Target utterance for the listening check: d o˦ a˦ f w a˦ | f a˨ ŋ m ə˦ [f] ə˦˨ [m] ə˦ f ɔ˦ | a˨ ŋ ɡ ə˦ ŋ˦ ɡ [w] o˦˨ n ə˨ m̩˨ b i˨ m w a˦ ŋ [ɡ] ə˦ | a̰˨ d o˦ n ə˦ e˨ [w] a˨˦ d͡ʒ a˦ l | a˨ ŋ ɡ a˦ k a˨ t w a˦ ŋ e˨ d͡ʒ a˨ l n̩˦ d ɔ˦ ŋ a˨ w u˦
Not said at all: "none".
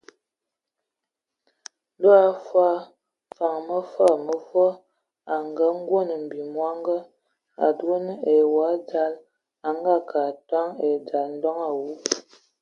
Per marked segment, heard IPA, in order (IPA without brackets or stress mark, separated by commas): f, m, w, ɡ, w